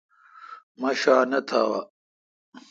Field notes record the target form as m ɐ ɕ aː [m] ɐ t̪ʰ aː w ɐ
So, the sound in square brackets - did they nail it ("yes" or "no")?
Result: no